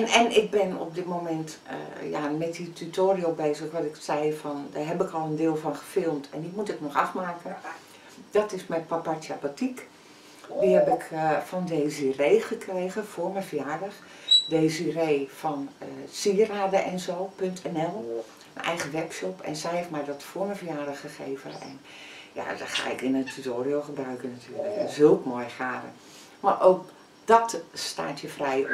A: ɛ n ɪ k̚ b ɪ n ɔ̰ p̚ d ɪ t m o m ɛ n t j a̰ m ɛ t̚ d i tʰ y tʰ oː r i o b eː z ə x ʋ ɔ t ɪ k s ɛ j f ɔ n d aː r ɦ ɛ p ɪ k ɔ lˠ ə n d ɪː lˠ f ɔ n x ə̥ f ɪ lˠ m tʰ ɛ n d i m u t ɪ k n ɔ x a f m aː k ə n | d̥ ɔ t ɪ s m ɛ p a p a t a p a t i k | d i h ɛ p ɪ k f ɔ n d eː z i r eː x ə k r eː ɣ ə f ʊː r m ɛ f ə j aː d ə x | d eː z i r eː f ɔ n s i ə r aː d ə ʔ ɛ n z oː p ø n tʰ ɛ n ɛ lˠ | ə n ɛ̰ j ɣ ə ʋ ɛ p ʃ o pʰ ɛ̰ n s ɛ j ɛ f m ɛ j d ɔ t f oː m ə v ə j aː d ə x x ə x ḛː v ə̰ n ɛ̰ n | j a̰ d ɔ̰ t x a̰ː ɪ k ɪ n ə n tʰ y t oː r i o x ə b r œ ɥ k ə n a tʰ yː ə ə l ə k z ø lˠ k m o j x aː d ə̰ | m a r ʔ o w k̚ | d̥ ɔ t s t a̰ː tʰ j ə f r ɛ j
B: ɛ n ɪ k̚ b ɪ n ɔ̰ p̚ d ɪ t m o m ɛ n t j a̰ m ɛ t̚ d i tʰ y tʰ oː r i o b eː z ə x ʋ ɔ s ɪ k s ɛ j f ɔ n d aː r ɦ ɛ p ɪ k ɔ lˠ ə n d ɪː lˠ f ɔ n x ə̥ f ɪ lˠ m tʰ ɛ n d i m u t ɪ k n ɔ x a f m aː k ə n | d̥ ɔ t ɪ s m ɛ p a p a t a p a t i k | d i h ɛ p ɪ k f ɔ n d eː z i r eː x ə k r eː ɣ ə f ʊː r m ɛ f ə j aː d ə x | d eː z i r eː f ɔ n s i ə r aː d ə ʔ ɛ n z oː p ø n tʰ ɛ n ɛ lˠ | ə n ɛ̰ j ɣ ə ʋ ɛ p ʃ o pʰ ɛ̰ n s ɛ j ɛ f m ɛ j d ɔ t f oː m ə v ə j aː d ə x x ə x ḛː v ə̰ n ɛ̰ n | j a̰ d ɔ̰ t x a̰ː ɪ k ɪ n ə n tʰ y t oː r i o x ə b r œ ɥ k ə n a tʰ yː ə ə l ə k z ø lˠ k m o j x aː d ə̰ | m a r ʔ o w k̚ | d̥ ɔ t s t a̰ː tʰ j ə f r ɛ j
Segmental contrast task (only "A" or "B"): A